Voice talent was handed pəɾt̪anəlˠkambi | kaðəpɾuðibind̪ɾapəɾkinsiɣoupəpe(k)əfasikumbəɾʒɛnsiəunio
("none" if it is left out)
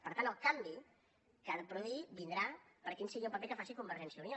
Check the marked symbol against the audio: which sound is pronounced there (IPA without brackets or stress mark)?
k